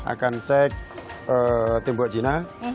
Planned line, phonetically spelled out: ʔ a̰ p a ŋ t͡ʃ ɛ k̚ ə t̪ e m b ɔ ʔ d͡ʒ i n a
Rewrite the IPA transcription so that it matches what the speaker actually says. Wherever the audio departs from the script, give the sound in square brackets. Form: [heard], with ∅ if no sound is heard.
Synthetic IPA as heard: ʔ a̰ [k] a [n] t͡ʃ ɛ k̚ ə t̪ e m b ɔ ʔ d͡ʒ i n a